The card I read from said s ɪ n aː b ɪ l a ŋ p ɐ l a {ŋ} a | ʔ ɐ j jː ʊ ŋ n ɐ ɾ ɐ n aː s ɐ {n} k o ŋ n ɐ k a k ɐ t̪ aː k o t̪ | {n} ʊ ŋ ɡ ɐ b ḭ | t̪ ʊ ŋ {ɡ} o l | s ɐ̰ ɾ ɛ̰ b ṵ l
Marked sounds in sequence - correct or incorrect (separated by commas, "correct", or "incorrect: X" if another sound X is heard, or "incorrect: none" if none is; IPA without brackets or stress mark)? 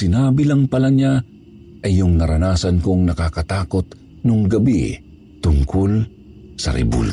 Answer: incorrect: ɲ, correct, correct, incorrect: k